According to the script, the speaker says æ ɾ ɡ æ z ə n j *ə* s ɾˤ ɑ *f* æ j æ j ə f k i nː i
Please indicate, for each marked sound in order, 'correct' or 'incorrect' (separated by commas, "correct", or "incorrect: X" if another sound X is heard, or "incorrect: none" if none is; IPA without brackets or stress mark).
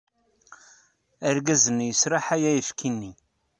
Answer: correct, incorrect: ħ